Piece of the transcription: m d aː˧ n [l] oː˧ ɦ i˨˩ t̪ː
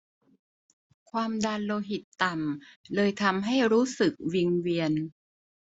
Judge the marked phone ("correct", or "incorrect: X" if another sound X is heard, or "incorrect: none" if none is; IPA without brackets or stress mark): correct